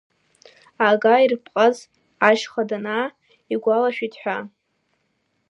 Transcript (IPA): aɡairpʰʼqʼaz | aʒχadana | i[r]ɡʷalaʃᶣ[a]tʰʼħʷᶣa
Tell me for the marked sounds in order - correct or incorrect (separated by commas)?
incorrect, incorrect